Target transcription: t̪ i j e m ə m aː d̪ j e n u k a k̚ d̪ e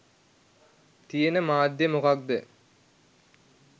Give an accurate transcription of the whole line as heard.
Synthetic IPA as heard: t̪ i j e n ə m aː d̪ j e m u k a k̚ d̪ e